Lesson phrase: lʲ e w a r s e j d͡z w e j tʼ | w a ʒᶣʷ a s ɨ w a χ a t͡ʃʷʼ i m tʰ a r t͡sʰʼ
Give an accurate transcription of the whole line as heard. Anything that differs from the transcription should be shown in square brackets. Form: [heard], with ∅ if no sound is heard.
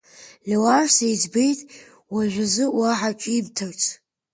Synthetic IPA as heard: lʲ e w a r s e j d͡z [b] e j tʼ | w a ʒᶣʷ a [z] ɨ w a [ħ] a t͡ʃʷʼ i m tʰ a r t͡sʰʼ